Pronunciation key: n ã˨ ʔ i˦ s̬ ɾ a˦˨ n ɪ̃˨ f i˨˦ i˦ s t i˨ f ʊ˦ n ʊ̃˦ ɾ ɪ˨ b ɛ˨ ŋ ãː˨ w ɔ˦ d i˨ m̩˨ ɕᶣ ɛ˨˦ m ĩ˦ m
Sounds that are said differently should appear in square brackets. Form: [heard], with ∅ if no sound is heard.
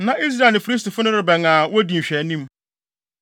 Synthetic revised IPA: n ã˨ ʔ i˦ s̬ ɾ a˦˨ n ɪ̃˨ f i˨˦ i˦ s t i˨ f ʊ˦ n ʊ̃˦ ɾ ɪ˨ b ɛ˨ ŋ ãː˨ w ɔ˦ d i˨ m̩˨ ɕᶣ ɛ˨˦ [n] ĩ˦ m